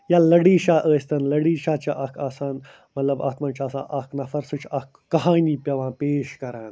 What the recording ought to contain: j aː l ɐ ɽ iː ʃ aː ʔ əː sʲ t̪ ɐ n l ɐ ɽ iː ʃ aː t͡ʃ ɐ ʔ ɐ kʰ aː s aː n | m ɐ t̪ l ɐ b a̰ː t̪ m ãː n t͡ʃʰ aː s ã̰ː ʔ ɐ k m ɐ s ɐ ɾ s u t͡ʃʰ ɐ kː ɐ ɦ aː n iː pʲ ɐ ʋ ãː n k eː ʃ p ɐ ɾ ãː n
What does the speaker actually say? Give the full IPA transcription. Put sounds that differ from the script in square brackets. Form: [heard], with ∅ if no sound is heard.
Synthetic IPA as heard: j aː l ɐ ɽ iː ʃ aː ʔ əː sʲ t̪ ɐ n l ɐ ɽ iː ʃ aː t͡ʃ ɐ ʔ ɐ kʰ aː s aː n | m ɐ t̪ l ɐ b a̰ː t̪ m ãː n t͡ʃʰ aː s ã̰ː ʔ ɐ k [n] ɐ [f] ɐ ɾ s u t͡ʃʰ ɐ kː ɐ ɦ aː n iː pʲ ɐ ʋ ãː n [p] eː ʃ [k] ɐ ɾ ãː n